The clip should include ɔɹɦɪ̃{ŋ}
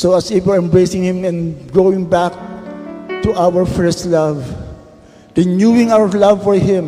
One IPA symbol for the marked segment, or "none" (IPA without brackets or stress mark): m